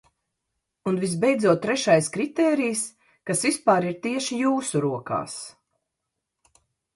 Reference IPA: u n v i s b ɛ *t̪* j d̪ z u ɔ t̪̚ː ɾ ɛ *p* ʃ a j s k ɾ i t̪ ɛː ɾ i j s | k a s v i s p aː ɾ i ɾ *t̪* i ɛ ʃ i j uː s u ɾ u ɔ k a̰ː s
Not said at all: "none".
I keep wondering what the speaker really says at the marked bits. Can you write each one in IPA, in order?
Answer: none, none, t̪

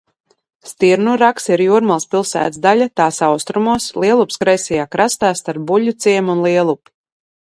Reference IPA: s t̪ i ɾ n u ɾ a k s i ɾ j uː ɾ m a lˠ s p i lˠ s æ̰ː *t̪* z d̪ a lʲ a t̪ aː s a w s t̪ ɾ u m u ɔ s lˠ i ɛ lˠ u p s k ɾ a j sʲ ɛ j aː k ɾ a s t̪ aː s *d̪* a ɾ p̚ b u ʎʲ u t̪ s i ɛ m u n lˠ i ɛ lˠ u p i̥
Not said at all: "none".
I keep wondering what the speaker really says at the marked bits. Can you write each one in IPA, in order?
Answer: t̪, t̪

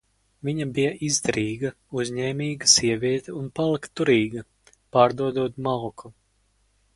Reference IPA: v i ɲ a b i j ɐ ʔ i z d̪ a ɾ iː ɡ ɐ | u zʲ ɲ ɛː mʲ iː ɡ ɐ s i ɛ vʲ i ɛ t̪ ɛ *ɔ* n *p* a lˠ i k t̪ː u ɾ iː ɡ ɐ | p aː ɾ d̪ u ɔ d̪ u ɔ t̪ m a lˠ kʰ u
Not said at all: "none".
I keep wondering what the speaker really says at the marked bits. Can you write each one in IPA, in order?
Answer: u, p

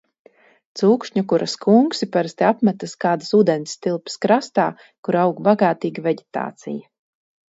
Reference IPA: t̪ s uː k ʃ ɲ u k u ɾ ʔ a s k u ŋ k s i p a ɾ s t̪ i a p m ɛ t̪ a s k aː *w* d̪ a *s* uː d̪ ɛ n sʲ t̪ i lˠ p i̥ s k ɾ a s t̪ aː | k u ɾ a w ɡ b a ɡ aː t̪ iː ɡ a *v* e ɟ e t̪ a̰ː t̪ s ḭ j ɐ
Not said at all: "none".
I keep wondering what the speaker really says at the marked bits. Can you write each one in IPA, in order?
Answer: none, s, v

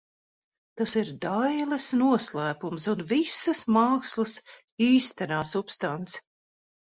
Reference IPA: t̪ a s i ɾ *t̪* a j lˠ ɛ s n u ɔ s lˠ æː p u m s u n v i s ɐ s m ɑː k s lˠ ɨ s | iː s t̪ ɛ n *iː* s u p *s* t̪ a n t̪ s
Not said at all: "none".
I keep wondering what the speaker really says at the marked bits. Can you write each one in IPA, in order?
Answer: d̪, aː, s

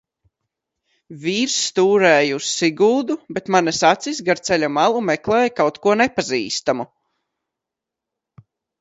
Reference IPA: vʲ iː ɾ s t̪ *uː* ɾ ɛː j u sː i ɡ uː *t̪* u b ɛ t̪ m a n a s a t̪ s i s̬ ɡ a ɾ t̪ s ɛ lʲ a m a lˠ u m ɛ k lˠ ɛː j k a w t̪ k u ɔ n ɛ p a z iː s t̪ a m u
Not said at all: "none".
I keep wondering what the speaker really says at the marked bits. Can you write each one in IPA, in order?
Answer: uː, d̪

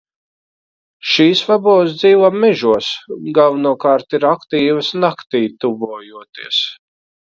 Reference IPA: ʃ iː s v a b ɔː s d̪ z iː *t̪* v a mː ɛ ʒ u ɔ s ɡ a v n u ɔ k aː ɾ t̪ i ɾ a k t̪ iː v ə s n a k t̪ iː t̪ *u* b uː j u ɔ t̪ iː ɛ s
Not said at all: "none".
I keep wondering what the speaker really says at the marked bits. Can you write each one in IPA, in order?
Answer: none, u

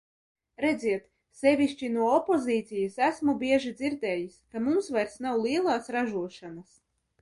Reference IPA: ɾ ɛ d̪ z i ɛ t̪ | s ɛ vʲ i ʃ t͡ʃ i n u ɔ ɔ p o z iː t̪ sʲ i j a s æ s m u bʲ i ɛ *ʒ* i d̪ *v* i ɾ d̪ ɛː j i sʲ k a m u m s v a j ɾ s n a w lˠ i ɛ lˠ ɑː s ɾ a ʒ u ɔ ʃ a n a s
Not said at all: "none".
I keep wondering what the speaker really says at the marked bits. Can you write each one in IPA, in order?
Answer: ʒ, z

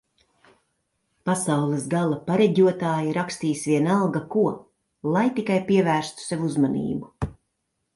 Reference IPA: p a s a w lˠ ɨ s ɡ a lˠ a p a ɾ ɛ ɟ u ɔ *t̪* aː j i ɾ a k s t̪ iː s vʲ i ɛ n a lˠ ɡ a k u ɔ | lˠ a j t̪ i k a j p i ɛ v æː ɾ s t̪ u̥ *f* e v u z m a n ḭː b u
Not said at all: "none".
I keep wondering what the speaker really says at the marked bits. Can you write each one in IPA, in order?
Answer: t̪, s

